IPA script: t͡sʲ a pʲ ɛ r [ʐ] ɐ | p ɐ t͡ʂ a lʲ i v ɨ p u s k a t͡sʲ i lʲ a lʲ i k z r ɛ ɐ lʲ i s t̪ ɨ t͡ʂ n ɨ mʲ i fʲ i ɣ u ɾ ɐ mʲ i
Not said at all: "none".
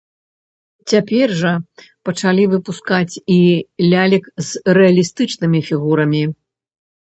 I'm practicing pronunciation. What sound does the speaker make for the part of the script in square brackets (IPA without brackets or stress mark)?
ʐ